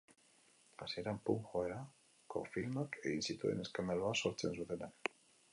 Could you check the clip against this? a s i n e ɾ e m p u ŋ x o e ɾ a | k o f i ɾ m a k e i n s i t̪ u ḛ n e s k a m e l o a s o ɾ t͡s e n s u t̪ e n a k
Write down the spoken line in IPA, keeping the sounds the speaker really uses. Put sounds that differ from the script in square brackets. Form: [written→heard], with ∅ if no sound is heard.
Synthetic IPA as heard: a s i [n→∅] e ɾ [e→a] m p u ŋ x o e ɾ a | k o f i [ɾ→l] m a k e i n s i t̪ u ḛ n e s k a m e l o a s o ɾ t͡s e n s u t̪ e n a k

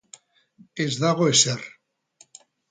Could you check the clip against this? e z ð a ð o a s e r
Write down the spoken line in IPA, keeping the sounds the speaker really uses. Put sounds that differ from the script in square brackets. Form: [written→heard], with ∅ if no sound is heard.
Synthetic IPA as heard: e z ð a [ð→ɣ] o [a→e] s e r

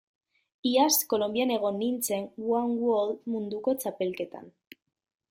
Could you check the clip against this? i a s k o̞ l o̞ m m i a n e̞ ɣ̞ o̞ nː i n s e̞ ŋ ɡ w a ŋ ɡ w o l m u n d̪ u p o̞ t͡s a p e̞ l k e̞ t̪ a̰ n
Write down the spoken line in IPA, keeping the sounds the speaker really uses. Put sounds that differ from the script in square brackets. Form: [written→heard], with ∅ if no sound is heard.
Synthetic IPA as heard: i a s k o̞ l o̞ m [m→b] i a n e̞ ɣ̞ o̞ nː i n [s→t͡s] e̞ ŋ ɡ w a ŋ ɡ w o l m u n d̪ u [p→k] o̞ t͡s a p e̞ l k e̞ t̪ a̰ n

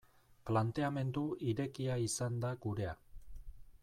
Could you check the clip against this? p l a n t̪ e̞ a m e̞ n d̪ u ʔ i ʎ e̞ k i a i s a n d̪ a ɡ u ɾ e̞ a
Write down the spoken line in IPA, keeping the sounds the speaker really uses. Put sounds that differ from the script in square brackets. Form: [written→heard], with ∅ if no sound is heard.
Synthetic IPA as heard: p l a n t̪ e̞ a m e̞ n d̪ u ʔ i [ʎ→ɾ] e̞ k i a i s a n d̪ a ɡ u ɾ e̞ a

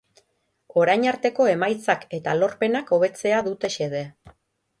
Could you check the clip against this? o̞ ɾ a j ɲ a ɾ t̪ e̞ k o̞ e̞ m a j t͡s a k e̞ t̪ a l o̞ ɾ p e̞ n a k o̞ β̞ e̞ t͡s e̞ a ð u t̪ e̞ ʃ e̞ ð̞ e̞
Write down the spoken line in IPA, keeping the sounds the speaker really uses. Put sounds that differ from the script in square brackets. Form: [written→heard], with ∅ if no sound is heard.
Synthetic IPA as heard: o̞ ɾ a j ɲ a ɾ t̪ e̞ k o̞ e̞ m a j t͡s a k e̞ t̪ a l o̞ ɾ p e̞ n a k o̞ β̞ e̞ t͡s e̞ a ð u t̪ e̞ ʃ e̞ ð̞ e̞

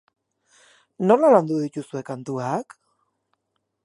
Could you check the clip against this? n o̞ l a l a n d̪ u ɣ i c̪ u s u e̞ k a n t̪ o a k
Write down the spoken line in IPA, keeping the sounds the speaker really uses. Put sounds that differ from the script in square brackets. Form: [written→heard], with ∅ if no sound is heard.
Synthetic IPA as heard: n o̞ l a l a n d̪ u [ɣ→ð] i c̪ u s u e̞ k a n t̪ [o→u] a k

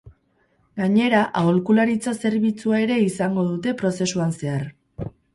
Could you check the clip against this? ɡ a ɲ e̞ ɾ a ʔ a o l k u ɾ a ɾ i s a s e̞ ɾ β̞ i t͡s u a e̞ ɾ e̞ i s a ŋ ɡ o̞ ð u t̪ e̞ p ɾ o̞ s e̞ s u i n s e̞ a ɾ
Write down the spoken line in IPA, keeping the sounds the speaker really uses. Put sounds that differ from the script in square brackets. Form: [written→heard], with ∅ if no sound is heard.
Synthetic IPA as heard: ɡ a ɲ e̞ ɾ a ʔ a o l k u [ɾ→l] a ɾ i [s→t͡s] a s e̞ ɾ β̞ i t͡s u a e̞ ɾ e̞ i s a ŋ ɡ o̞ ð u t̪ e̞ p ɾ o̞ s e̞ s u [i→a] n s e̞ a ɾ

